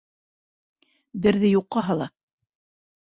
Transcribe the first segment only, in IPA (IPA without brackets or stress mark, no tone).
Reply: b